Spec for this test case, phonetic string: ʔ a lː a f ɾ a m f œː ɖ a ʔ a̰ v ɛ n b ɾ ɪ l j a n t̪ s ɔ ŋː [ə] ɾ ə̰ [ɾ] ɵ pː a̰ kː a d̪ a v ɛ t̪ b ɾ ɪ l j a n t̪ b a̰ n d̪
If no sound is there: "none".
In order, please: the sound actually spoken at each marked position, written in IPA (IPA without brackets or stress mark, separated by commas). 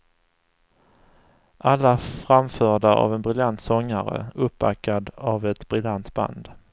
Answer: a, none